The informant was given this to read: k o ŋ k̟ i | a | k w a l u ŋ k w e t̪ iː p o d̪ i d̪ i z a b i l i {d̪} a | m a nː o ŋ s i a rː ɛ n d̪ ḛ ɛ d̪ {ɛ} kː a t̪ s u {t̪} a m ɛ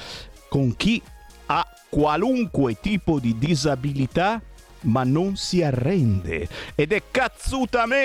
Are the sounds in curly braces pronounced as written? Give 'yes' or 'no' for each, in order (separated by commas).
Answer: no, yes, yes